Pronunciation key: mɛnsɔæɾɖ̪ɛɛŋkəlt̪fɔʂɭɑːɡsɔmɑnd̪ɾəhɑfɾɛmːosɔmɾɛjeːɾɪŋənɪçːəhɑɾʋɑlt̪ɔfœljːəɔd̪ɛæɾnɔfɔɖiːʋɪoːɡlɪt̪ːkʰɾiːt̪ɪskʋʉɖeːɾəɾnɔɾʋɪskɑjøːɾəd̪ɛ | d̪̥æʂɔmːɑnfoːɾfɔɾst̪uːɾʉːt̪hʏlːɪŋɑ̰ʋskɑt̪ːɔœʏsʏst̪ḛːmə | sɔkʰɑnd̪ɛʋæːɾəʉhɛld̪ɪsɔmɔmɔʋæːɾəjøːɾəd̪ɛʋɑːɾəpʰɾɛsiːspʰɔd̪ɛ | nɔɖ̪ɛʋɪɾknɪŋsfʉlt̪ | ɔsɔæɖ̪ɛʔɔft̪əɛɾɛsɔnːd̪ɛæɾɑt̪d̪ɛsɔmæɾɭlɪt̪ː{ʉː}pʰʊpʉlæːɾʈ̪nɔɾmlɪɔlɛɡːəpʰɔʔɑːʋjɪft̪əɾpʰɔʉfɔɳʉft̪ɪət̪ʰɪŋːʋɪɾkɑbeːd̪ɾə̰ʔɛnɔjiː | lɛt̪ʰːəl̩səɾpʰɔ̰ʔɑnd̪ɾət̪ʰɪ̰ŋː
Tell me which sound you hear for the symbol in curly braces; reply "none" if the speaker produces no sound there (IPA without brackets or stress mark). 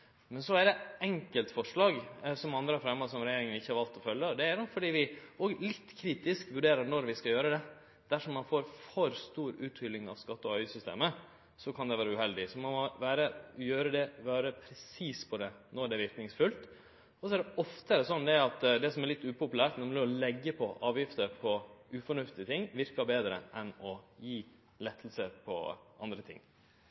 ʉː